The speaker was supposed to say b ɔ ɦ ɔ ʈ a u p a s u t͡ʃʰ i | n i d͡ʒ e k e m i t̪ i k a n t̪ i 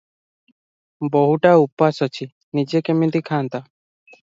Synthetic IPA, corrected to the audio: b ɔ ɦ u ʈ a u p a s ɔ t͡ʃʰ i | n i d͡ʒ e k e m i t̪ i kʰ a n t̪ a